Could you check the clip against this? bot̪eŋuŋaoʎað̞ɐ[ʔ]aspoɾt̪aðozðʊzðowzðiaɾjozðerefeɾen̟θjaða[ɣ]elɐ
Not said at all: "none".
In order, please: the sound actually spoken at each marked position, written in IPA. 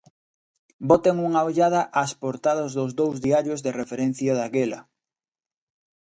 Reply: ʔ, ɣ

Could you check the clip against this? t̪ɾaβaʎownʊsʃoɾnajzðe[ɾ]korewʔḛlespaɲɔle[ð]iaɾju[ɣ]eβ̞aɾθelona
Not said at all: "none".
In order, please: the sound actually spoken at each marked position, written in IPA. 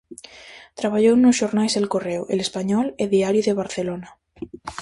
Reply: l, ð, ð

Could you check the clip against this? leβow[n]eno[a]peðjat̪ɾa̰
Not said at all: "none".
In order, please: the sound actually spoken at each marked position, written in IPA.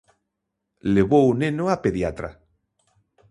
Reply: n, a

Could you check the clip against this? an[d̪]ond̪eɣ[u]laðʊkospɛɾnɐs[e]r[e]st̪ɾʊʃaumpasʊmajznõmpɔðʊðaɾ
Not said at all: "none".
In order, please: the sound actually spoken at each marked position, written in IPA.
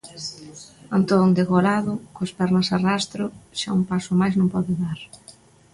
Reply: t̪, o, a, a

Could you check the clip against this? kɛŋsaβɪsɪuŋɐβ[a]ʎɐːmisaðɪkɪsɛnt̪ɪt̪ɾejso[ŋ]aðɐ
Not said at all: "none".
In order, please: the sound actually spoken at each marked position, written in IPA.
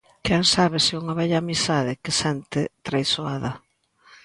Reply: ɛ, none

